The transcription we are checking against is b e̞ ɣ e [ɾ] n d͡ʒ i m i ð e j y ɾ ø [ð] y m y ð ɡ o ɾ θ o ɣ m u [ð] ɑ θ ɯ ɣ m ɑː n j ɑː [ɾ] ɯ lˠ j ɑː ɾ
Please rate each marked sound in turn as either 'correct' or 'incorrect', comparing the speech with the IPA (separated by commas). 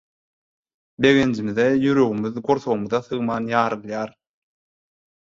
incorrect, incorrect, correct, correct